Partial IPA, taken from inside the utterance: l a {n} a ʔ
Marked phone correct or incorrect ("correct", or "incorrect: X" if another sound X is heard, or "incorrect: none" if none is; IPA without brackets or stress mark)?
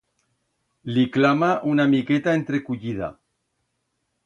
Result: incorrect: m